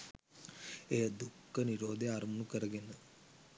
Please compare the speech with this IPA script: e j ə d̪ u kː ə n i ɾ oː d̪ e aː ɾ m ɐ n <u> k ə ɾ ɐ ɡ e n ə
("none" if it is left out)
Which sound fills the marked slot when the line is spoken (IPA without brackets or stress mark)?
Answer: u